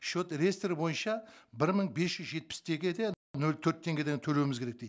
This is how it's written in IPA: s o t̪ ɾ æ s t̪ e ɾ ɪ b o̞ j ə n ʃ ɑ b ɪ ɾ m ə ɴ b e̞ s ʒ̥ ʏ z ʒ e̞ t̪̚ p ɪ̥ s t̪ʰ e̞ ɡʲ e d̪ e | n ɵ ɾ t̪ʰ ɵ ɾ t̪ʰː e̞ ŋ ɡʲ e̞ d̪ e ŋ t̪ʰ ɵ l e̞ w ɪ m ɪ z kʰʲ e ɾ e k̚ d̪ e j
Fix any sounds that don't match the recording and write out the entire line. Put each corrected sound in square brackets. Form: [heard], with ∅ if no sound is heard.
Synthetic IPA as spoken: [ʃ] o t̪ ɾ [e] s t̪ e ɾ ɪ b o̞ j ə n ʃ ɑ b ɪ ɾ m ə ɴ b e̞ s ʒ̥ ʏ z ʒ e̞ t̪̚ p ɪ̥ s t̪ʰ e̞ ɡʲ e d̪ e | n ɵ [l] t̪ʰ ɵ ɾ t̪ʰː e̞ ŋ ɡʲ e̞ d̪ e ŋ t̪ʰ ɵ l e̞ w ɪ m ɪ z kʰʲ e ɾ e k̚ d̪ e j